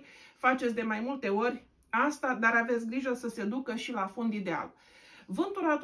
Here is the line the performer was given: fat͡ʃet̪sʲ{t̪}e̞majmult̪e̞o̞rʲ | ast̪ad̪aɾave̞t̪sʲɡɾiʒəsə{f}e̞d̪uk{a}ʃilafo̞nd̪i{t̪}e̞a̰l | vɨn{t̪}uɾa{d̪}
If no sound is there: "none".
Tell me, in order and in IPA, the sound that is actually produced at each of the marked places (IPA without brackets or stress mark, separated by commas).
d̪, s, ə, d̪, t̪, t̪